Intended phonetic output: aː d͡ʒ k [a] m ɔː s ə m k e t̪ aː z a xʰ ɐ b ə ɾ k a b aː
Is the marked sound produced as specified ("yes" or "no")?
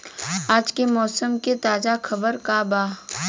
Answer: no